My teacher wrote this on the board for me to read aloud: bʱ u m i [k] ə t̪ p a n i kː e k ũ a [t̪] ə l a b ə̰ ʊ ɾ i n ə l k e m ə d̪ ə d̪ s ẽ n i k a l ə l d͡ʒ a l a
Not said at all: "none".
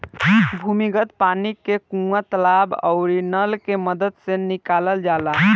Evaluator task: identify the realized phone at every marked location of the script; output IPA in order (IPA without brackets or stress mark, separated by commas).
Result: ɡ, t̪